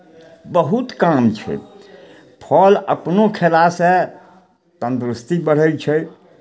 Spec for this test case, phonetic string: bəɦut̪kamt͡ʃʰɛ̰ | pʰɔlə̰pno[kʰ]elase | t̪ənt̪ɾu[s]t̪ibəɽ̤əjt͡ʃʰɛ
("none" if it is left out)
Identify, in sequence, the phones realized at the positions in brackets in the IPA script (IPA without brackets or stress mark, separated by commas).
kʰ, s